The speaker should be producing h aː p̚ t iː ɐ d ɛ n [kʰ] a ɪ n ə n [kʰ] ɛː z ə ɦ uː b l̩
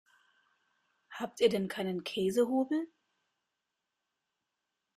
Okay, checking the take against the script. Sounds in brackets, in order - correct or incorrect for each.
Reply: correct, correct

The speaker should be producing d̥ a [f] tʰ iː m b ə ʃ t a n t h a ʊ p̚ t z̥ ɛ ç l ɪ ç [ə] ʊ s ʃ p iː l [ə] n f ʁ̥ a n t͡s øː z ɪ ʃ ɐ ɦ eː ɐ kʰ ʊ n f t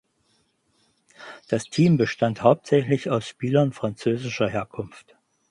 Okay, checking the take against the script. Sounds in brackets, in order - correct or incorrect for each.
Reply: incorrect: s, incorrect: a, incorrect: ɐ

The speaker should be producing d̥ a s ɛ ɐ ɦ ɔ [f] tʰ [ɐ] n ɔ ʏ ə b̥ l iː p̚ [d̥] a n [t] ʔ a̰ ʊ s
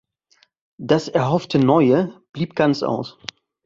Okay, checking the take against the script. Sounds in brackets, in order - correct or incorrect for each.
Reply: correct, incorrect: ə, incorrect: ɡ̥, incorrect: t͡s

